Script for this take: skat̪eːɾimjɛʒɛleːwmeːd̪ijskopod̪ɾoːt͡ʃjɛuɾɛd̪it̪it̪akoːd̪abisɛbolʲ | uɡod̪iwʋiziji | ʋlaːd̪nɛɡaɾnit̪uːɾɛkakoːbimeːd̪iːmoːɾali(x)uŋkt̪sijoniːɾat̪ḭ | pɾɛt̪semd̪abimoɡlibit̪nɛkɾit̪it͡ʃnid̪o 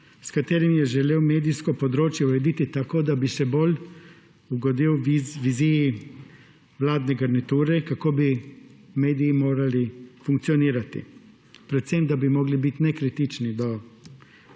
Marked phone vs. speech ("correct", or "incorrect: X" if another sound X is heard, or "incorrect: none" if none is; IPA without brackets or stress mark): incorrect: f